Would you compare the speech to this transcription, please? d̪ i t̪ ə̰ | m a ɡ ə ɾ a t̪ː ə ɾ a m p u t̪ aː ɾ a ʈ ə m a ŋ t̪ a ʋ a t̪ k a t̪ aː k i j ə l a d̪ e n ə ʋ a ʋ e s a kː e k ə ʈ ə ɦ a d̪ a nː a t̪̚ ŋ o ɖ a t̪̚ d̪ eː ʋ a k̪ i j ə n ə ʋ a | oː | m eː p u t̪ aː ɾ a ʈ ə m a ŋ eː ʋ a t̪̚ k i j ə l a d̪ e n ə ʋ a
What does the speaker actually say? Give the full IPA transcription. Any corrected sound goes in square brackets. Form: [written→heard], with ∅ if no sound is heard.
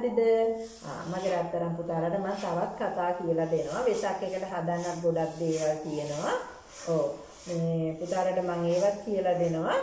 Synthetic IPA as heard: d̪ i [t̪→d̪] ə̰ | m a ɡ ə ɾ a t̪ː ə ɾ a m p u t̪ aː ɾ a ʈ ə m a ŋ t̪ a ʋ a t̪ k a t̪ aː k i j ə l a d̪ e n ə ʋ a ʋ e s a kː e k ə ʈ ə ɦ a d̪ a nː a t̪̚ [ŋ→ɡ] o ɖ a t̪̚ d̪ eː ʋ a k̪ i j ə n ə ʋ a | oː | m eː p u t̪ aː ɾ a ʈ ə m a ŋ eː ʋ a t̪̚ k i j ə l a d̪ e n ə ʋ a

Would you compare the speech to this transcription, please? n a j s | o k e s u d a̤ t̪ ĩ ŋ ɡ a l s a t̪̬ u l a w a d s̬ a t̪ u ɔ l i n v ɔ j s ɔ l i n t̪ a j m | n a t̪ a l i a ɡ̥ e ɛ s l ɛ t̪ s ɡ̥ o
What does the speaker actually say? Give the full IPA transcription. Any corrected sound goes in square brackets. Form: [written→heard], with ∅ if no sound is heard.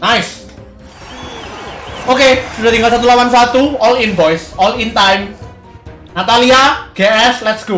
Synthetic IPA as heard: n a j s | o k e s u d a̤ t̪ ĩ ŋ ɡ a l s a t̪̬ u l a w a [d→n] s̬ a t̪ u ɔ l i n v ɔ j s ɔ l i n t̪ a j m | n a t̪ a l i a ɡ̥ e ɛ s l ɛ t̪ s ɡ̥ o

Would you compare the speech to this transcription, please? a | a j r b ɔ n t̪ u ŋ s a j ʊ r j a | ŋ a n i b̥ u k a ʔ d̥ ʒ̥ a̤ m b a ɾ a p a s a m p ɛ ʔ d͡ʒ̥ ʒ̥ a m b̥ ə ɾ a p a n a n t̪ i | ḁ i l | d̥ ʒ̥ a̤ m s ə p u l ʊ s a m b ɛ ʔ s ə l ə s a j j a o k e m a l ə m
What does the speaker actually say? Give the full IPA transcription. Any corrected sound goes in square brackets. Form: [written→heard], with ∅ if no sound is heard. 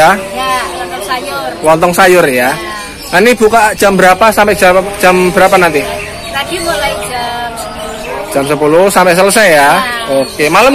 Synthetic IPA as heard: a | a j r [b→w] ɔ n t̪ [u→ɔ] ŋ s a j ʊ r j a | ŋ a n i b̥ u k a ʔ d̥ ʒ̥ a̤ m b [a→ə] ɾ a p a s a m p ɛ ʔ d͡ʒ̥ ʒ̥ a m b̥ ə ɾ a p a n a n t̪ i | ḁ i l | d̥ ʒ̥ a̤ m s ə p u l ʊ s a m [b→p] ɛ ʔ s ə l ə s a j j a o k e m a l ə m

